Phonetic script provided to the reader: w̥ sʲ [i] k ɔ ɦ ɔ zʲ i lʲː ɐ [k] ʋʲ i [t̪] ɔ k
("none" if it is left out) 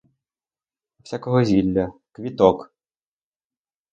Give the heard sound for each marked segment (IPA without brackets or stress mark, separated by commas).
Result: a, k, t̪